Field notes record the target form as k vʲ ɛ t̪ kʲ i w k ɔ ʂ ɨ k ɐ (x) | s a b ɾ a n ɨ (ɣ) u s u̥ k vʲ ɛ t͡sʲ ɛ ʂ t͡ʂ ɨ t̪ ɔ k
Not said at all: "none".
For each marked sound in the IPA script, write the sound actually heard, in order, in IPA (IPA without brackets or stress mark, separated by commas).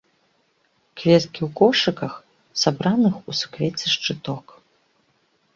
x, x